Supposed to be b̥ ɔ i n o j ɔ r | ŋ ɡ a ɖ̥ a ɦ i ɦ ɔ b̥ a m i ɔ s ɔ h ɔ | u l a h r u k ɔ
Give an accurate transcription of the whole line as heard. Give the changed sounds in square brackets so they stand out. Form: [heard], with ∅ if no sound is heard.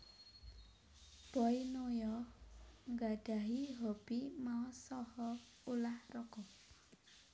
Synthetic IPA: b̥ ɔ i n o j ɔ [∅] | ŋ ɡ a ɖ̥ a ɦ i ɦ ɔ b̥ [i] m [a] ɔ s ɔ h ɔ | u l a h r [ɔ] k ɔ